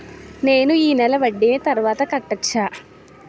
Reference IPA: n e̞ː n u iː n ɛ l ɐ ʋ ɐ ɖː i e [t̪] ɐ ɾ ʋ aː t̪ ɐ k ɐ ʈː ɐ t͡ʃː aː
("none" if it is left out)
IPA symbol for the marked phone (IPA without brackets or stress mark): t̪